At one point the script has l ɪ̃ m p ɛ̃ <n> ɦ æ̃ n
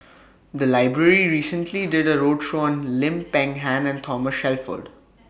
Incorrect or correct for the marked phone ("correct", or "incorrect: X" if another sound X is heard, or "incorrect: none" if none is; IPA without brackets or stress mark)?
incorrect: ŋ